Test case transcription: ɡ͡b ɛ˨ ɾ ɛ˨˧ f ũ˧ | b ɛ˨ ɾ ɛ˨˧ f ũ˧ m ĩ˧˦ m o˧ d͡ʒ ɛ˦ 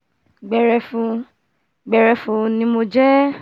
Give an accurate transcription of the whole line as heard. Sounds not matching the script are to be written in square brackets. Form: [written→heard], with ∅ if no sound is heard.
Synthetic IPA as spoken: ɡ͡b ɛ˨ ɾ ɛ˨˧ f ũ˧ | [b→ɡ͡b] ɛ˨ ɾ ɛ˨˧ f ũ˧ [m→n] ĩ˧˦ m o˧ d͡ʒ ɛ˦